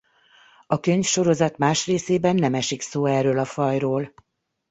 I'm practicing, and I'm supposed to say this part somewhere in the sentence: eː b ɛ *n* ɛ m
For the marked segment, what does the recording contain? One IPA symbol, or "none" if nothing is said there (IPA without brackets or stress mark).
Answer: nː